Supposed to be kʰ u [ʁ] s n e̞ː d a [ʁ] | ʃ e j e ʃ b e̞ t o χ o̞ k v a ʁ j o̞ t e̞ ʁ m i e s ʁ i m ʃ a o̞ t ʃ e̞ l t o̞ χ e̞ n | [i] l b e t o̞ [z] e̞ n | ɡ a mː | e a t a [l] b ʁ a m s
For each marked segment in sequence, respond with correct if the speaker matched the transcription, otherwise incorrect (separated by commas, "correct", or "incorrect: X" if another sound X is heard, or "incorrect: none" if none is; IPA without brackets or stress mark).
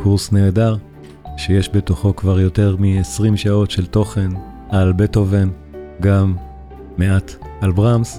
correct, correct, incorrect: a, incorrect: v, correct